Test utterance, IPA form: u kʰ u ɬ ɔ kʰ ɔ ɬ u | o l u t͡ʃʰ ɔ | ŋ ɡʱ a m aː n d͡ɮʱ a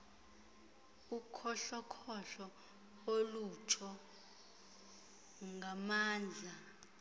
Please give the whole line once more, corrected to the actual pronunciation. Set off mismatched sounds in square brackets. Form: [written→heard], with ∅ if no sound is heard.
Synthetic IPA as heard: u kʰ [u→ɔ] ɬ ɔ kʰ ɔ ɬ [u→ɔ] | o l u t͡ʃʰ ɔ | ŋ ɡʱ a m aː n d͡ɮʱ a